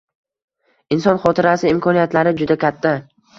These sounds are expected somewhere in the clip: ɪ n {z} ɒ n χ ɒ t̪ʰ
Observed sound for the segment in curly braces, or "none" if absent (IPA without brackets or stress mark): s